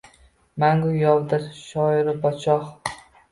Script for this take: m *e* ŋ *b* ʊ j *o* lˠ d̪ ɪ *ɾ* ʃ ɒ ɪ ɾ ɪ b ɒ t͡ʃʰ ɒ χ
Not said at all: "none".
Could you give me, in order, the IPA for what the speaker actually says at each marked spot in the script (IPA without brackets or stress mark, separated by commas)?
a, ɡ, ɒ, ɾ